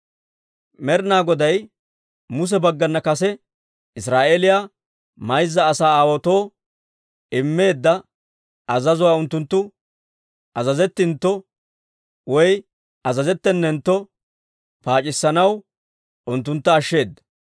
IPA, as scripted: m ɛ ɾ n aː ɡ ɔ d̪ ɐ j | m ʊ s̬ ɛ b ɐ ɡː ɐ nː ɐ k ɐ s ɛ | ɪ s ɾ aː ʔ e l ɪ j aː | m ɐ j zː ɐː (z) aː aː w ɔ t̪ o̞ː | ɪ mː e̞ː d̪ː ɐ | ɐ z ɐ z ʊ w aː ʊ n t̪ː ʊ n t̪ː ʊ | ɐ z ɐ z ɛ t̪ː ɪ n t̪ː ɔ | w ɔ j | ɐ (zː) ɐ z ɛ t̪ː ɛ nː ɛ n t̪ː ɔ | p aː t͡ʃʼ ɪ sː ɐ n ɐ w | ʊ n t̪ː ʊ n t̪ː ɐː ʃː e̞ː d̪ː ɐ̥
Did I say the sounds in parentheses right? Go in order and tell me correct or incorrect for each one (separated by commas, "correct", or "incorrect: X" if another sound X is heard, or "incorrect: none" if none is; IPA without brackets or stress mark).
incorrect: s, incorrect: z